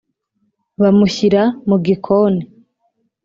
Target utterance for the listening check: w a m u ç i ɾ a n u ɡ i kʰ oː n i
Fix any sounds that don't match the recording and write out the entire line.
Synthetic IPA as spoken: β a m u ç i ɾ a m u ɡ i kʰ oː n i